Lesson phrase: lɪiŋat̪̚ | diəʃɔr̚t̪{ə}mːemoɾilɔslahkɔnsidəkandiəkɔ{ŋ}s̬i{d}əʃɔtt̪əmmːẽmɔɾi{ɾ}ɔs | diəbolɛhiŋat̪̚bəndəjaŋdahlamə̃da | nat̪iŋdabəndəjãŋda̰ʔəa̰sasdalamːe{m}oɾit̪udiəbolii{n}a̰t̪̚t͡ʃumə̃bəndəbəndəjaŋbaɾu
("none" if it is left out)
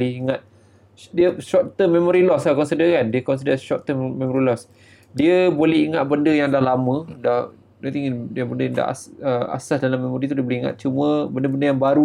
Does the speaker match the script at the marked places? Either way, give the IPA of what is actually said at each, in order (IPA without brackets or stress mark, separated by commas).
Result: ə, n, d, l, m, ŋ